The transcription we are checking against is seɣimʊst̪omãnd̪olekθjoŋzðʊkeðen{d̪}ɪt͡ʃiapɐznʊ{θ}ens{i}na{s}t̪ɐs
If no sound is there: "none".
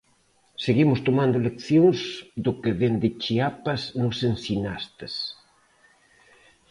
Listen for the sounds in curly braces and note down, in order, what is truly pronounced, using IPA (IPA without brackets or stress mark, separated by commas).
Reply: d̪, s, i, s